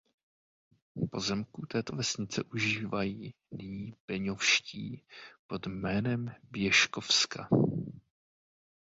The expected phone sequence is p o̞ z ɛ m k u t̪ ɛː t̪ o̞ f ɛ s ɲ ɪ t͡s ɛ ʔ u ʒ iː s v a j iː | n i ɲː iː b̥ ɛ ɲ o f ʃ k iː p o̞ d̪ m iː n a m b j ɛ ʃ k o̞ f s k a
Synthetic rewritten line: p o̞ z ɛ m k u t̪ ɛː t̪ o̞ v ɛ s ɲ ɪ t͡s ɛ ʔ u ʒ iː v a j iː | n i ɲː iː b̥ ɛ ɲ o f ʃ c iː p o̞ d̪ m ɛː n ɛ m b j ɛ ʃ k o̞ f s k a

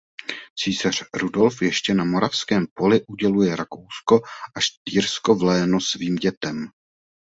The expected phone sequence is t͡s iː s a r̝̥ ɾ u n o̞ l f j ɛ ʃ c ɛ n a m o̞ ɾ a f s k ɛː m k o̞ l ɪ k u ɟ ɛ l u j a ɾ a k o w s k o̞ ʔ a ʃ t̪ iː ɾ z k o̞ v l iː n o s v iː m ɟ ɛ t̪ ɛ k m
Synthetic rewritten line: t͡s iː s a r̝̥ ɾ u d o̞ l f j ɛ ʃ c ɛ n a m o̞ ɾ a f s k ɛː m p o̞ l ɪ ʔ u ɟ ɛ l u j ɛ ɾ a k o w s k o̞ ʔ a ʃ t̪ iː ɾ s k o̞ v l ɛː n o s v iː m ɟ ɛ t̪ ɛ m

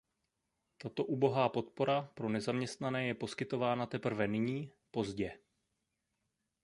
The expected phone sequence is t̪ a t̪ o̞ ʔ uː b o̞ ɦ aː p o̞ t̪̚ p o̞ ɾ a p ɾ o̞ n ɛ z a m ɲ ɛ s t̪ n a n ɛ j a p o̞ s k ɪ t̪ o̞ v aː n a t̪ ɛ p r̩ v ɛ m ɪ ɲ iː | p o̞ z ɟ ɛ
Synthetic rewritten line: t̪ a t̪ o̞ ʔ uː b o̞ ɦ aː p o̞ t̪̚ p o̞ ɾ a p ɾ o̞ n ɛ z a m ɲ ɛ s t̪ n a n ɛː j ɛ p o̞ s k ɪ t̪ o̞ v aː n a t̪ ɛ p r̩ v ɛ n ɪ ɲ iː | p o̞ z ɟ ɛ

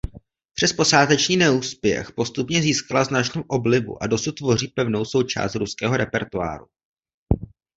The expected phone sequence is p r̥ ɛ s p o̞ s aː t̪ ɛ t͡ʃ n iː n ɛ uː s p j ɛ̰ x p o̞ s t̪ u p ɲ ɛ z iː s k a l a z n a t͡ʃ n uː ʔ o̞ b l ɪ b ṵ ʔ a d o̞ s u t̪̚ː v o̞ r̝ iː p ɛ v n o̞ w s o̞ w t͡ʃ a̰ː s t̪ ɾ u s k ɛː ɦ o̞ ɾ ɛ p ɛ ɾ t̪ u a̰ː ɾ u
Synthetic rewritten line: p r̥ ɛ s p o̞ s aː t̪ ɛ t͡ʃ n iː n ɛ uː s p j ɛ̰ x p o̞ s t̪ u p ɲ ɛ z iː s k a l a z n a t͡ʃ n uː ʔ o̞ b l ɪ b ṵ ʔ a d o̞ s u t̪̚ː v o̞ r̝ iː p ɛ v n o̞ w s o̞ w t͡ʃ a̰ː s t̪ ɾ u s k ɛː ɦ o̞ ɾ ɛ p ɛ ɾ t̪ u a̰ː ɾ u

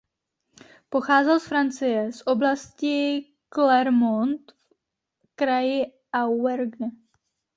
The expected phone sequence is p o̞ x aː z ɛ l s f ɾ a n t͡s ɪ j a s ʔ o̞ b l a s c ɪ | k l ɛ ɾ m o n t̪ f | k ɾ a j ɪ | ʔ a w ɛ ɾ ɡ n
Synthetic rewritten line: p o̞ x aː z ɛ l s f ɾ a n t͡s ɪ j ɛ s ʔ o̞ b l a s c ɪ | k l ɛ ɾ m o n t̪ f | k ɾ a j ɪ | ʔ a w ɛ ɾ ɡ n

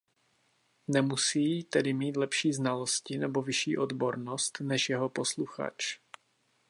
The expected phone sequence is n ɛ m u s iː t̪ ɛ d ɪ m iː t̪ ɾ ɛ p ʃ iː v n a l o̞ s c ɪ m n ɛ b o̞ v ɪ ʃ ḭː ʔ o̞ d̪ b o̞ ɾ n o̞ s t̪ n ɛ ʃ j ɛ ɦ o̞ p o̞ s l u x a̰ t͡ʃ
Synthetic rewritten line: n ɛ m u s iː t̪ ɛ d ɪ m iː t̪ l ɛ p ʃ iː z n a l o̞ s c ɪ n ɛ b o̞ v ɪ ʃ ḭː ʔ o̞ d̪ b o̞ ɾ n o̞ s t̪ n ɛ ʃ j ɛ ɦ o̞ p o̞ s l u x a̰ t͡ʃ

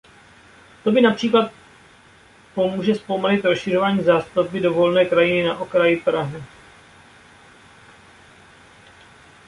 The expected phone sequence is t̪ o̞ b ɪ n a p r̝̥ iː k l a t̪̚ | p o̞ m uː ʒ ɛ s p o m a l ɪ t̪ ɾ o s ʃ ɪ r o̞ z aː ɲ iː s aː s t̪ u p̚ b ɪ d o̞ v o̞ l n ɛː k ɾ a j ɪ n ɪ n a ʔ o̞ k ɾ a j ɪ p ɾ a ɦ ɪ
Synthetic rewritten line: t̪ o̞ b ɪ n a p r̝̥ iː k l a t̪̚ | p o̞ m uː ʒ ɛ s p o m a l ɪ t̪ ɾ o s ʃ ɪ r o̞ v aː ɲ iː z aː s t̪ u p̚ b ɪ d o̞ v o̞ l n ɛː k ɾ a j ɪ n ɪ n a ʔ o̞ k ɾ a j ɪ p ɾ a ɦ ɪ

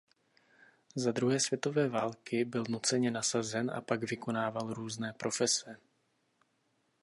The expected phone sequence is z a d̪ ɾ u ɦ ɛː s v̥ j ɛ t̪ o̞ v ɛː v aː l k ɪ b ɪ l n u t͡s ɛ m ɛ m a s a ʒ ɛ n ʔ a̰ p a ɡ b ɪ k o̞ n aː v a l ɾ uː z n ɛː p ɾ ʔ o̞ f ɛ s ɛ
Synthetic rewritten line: z a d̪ ɾ u ɦ ɛː s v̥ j ɛ t̪ o̞ v ɛː v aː l k ɪ b ɪ l n u t͡s ɛ ɲ ɛ n a s a z ɛ n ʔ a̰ p a ɡ v ɪ k o̞ n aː v a l ɾ uː z n ɛː p ɾ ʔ o̞ f ɛ s ɛ

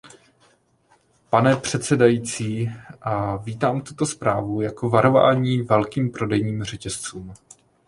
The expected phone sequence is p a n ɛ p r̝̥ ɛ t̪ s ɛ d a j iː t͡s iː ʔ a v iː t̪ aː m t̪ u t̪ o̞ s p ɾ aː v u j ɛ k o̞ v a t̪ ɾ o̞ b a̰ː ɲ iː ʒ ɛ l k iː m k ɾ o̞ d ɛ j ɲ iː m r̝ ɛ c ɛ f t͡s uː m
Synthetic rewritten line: p a n ɛ p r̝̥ ɛ t̪ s ɛ d a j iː t͡s iː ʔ a v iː t̪ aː m t̪ u t̪ o̞ s p ɾ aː v u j a k o̞ v a ɾ o̞ v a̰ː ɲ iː v ɛ l k iː m p ɾ o̞ d ɛ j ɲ iː m r̝ ɛ c ɛ s t͡s uː m

